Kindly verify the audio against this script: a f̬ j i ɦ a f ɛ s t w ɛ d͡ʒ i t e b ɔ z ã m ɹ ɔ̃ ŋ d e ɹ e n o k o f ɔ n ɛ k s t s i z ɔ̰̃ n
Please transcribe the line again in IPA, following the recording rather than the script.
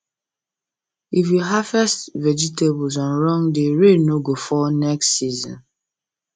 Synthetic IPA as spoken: i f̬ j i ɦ a f ɛ s t v ɛ d͡ʒ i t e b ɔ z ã n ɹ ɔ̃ ŋ d e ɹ e n o ɡ o f ɔ n ɛ k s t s i z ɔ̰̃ n